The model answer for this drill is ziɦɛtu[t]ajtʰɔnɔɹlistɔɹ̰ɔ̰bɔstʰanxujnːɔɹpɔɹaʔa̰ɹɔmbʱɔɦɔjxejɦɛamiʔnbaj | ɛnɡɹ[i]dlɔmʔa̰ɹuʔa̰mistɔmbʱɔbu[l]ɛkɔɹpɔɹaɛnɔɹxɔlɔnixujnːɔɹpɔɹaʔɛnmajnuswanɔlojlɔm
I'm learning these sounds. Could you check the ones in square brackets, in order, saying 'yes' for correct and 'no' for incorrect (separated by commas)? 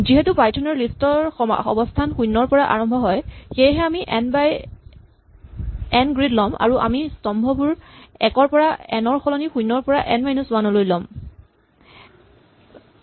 no, yes, no